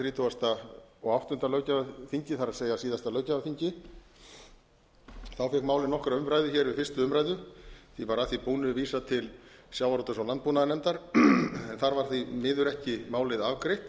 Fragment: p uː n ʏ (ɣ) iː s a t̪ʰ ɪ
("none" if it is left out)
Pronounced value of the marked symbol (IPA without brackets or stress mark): v